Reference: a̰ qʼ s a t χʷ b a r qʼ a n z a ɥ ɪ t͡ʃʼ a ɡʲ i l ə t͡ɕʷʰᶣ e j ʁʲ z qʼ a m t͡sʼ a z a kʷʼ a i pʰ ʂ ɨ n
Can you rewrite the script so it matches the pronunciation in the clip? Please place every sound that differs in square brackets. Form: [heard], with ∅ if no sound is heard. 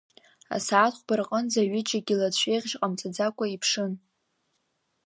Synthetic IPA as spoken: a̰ [∅] s a t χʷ b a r qʼ [ə] n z a ɥ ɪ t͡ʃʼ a ɡʲ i l [a] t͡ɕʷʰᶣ e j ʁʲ [ʒ] qʼ a m t͡sʼ a [d͡z] a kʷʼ a i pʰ ʂ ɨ n